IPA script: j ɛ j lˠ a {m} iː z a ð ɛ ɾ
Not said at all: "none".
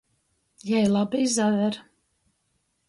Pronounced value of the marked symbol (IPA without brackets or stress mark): b